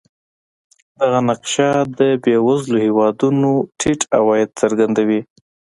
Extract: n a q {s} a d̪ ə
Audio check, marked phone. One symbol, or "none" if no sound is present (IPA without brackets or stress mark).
ʃ